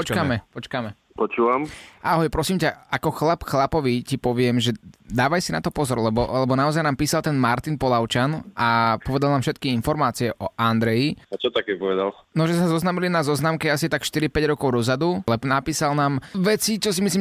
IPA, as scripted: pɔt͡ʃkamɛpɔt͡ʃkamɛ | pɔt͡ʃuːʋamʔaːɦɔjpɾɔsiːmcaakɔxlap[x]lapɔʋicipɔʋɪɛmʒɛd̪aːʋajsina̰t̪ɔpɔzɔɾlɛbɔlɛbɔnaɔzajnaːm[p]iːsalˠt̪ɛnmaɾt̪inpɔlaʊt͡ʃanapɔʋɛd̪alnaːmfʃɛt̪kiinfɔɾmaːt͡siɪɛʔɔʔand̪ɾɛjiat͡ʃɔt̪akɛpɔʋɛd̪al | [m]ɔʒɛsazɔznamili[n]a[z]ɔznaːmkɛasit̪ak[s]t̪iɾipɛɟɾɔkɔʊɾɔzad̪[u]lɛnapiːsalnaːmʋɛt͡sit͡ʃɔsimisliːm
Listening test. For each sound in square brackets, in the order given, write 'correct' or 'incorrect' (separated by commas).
correct, correct, incorrect, correct, correct, incorrect, correct